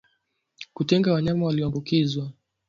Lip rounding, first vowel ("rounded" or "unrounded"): rounded